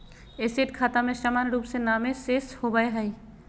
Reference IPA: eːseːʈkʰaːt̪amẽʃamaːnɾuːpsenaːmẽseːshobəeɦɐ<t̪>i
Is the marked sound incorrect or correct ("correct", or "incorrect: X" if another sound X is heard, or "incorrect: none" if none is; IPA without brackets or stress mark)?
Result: incorrect: none